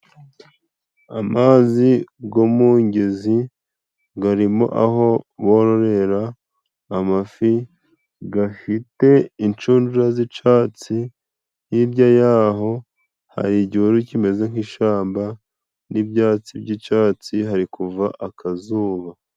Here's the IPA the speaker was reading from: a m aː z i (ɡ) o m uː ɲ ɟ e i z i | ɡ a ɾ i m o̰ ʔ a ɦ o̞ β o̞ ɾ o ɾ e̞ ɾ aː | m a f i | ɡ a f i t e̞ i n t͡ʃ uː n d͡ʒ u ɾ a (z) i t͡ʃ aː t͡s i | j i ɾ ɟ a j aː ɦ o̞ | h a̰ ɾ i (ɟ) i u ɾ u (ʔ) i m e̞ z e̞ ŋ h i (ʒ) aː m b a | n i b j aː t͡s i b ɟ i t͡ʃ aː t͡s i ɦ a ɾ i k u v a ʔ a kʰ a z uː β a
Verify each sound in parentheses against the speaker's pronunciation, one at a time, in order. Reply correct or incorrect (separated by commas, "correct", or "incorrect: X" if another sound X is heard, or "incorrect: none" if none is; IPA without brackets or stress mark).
correct, correct, correct, incorrect: c, incorrect: ʃ